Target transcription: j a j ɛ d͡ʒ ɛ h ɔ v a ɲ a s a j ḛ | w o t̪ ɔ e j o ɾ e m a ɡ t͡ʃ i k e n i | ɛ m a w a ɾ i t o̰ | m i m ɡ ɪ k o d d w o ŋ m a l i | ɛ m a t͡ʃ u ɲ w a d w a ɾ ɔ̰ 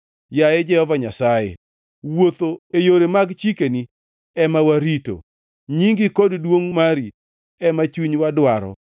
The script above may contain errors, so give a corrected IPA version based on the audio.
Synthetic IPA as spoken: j a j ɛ d͡ʒ ɛ h ɔ v a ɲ a s a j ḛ | w o t̪ o e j o ɾ e m a ɡ t͡ʃ i k e n i | ɛ m a w a ɾ i t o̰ | ɲ i ŋ ɡ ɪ k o d d w o ŋ m a ɾ i | ɛ m a t͡ʃ u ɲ w a d w a ɾ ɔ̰

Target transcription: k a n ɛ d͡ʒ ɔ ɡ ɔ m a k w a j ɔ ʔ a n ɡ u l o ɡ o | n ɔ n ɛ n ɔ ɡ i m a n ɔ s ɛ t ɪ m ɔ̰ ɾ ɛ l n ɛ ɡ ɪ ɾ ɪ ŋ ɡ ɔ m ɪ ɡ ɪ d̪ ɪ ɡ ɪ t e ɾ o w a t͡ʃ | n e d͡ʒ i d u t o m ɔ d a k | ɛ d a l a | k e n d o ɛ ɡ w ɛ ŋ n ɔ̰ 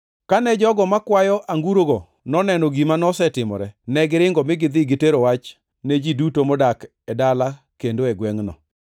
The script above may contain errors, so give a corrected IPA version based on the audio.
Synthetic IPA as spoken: k a n ɛ d͡ʒ ɔ ɡ ɔ m a k w a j ɔ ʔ a ŋ ɡ u ɾ o ɡ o | n ɔ n ɛ n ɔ ɡ i m a n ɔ s ɛ t ɪ m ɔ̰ ɾ ɛ n ɛ ɡ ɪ ɾ ɪ ŋ ɡ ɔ m ɪ ɡ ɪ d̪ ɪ ɡ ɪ t e ɾ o w a t͡ʃ | n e d͡ʒ i d u t o m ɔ d a k | ɛ d a l a | k e n d o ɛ ɡ w ɛ ŋ n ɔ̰

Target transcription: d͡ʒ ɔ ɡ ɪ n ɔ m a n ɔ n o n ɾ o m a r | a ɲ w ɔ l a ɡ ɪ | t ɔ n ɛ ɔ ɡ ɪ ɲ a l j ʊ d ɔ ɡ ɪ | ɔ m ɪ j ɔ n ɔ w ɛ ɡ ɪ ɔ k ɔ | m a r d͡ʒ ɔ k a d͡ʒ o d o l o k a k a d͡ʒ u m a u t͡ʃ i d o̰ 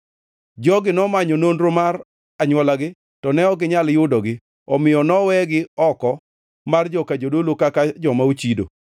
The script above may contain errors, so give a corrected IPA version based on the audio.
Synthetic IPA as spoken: d͡ʒ ɔ ɡ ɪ n ɔ m a ɲ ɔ n o n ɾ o m a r | a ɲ w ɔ l a ɡ ɪ | t ɔ n ɛ ɔ ɡ ɪ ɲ a l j ʊ d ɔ ɡ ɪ | ɔ m ɪ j ɔ n ɔ w ɛ ɡ ɪ ɔ k ɔ | m a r d͡ʒ ɔ k a d͡ʒ o d o l o k a k a d͡ʒ ɔ m a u t͡ʃ i d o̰

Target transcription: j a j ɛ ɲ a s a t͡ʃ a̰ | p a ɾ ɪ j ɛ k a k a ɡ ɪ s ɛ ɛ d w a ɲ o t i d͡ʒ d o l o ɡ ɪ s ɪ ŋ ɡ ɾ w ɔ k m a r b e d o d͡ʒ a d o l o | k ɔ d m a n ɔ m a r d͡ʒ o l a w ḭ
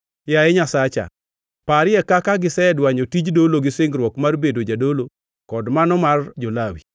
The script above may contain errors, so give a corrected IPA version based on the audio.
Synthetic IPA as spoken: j a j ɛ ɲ a s a t͡ʃ a̰ | p a ɾ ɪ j ɛ k a k a ɡ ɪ s ɛ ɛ d w a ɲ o t i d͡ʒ d o l o ɡ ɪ s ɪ ŋ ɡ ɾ w ɔ k m a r b e d o d͡ʒ a d o l o | k ɔ d m a n ɔ m a r d͡ʒ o l a w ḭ

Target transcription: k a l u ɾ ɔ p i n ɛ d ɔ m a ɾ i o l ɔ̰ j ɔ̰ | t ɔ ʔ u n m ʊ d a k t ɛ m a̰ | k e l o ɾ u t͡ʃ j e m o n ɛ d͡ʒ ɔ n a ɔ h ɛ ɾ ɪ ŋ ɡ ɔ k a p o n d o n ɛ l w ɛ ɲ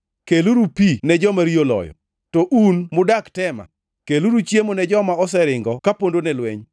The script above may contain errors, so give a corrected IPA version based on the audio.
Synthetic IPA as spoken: k e l u ɾ u p i n ɛ d͡ʒ ɔ m a ɾ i o l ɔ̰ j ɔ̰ | t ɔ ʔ u n m ʊ d a k t ɛ m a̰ | k e l u ɾ u t͡ʃ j e m o n ɛ d͡ʒ ɔ m a ɔ s ɛ ɾ ɪ ŋ ɡ ɔ k a p o n d o n ɛ l w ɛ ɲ

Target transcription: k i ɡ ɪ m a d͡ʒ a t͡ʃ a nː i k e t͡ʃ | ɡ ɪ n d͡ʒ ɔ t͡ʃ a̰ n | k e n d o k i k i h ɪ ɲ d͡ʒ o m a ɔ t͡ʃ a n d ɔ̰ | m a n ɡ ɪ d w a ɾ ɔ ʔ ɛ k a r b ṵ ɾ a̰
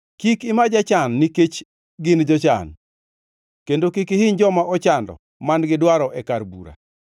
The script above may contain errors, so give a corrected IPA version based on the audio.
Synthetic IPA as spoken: k i k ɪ m a d͡ʒ a t͡ʃ a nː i k e t͡ʃ | ɡ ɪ n d͡ʒ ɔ t͡ʃ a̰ n | k e n d o k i k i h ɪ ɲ d͡ʒ ɔ m a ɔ t͡ʃ a n d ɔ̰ | m a n ɡ ɪ d w a ɾ ɔ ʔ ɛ k a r b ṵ ɾ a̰

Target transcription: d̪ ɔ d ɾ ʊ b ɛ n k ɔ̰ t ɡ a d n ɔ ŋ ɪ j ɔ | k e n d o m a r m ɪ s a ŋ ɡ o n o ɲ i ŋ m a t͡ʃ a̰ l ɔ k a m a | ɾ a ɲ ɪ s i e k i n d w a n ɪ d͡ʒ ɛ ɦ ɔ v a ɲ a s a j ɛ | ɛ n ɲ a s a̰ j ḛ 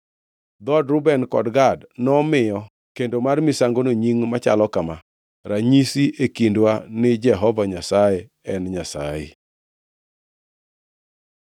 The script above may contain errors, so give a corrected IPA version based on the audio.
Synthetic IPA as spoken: d̪ ɔ d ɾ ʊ b ɛ n k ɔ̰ d ɡ a d n ɔ m ɪ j ɔ | k e n d o m a r m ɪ s a ŋ ɡ o n o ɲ i ŋ m a t͡ʃ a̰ l ɔ k a m a | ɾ a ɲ i s i e k i n d w a n ɪ d͡ʒ ɛ ɦ ɔ v a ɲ a s a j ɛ | ɛ n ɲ a s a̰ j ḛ

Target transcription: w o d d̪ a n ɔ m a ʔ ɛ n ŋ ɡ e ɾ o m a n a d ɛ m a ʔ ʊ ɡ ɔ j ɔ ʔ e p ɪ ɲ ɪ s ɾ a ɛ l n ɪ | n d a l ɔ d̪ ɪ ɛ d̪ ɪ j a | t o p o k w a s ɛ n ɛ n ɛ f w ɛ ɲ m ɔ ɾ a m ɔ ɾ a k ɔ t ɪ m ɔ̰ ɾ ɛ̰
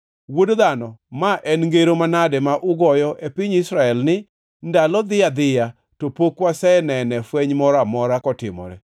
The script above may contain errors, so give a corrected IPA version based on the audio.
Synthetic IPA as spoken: w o d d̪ a n ɔ m a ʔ ɛ n ŋ ɡ e ɾ o m a n a d ɛ m a ʔ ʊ ɡ ɔ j ɔ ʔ e p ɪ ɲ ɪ s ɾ a ɛ l n ɪ | n d a l ɔ d̪ ɪ a d̪ ɪ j a | t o p o k w a s ɛ n ɛ n ɛ f w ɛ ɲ m ɔ ɾ a m ɔ ɾ a k ɔ t ɪ m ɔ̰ ɾ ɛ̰

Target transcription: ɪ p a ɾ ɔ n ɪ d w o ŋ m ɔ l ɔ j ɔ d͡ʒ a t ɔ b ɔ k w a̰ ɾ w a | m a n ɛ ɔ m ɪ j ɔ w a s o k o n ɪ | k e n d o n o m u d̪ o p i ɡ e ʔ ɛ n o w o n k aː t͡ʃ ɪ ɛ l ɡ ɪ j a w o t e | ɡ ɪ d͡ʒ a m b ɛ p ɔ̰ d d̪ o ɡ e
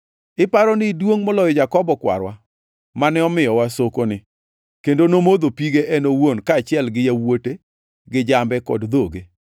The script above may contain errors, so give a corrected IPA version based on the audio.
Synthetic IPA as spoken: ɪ p a ɾ ɔ n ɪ d w o ŋ m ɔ l ɔ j ɔ d͡ʒ a k ɔ b ɔ k w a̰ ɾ w a | m a n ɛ ɔ m ɪ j ɔ w a s o k o n ɪ | k e n d o n o m o d̪ o p i ɡ e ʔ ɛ n o w o n k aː t͡ʃ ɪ ɛ l ɡ ɪ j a w o t e | ɡ ɪ d͡ʒ a m b ɛ k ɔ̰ d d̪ o ɡ e

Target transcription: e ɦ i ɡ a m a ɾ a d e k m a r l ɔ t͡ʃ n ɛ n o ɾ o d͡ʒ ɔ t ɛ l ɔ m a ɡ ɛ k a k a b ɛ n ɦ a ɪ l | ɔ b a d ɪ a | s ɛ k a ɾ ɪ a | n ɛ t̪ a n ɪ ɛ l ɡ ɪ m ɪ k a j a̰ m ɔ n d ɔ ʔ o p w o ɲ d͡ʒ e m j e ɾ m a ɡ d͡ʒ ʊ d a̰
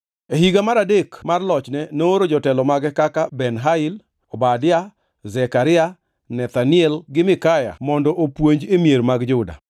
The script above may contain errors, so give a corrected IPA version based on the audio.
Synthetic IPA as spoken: e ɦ i ɡ a m a ɾ a d e k m a r l ɔ t͡ʃ n ɛ n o ɾ o d͡ʒ ɔ t ɛ l ɔ m a ɡ ɛ k a k a b ɛ n ɦ a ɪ l | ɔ b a d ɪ a | z ɛ k a ɾ ɪ a | n ɛ t̪ a n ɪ ɛ l ɡ ɪ m ɪ k a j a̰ m ɔ n d ɔ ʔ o p w o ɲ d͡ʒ e m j e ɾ m a ɡ d͡ʒ ʊ d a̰

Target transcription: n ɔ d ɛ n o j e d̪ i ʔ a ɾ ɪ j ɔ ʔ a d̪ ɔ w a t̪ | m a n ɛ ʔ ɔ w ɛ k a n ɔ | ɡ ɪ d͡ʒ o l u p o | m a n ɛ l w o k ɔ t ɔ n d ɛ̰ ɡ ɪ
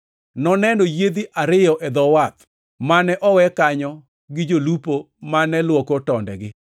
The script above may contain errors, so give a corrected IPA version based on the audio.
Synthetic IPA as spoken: n ɔ n ɛ n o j e d̪ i ʔ a ɾ ɪ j ɔ ʔ ɛ d̪ ɔ w a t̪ | m a n ɛ ʔ ɔ w ɛ k a ɲ ɔ | ɡ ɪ d͡ʒ o l u p o | m a n ɛ l w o k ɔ t ɔ n d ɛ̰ ɡ ɪ

